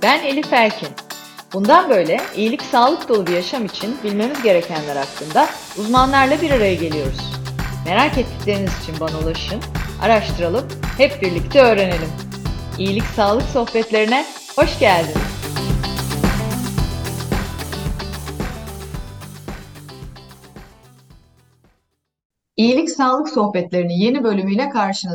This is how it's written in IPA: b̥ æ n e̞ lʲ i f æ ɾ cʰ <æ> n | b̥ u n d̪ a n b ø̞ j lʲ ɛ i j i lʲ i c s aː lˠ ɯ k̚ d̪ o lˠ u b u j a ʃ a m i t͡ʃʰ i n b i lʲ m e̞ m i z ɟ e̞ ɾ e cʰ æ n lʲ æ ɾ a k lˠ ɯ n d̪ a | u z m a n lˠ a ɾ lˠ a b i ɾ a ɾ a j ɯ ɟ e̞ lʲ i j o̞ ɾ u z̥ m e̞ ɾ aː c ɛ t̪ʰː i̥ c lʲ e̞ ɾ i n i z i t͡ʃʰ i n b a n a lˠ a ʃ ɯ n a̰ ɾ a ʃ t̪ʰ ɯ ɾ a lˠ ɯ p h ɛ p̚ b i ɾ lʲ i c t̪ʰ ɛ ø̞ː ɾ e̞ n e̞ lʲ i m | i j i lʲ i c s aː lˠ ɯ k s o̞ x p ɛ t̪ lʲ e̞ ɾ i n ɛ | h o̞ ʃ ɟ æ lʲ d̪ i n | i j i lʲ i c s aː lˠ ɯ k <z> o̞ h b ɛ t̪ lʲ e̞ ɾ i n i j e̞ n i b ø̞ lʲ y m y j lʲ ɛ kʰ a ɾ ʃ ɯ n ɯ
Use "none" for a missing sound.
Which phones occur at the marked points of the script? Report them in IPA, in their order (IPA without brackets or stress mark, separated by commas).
i, s